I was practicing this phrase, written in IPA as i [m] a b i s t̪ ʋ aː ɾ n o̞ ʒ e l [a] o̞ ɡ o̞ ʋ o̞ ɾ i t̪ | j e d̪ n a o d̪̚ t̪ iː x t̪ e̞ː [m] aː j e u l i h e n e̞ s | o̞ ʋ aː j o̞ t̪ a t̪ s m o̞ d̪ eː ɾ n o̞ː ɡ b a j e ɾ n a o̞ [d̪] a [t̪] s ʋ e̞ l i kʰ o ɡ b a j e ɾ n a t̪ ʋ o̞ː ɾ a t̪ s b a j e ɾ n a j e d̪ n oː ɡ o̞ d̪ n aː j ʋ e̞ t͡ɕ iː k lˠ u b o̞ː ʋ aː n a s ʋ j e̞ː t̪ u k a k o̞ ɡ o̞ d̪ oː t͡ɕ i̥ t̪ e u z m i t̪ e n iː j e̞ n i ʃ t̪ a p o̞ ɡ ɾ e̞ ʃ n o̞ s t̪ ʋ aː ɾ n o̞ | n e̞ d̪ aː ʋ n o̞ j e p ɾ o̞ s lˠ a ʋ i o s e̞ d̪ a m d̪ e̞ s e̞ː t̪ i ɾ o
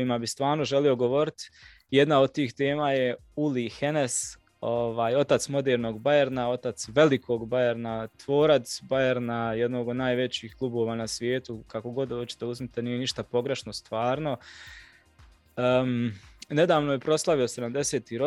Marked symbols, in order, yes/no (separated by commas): yes, no, yes, no, yes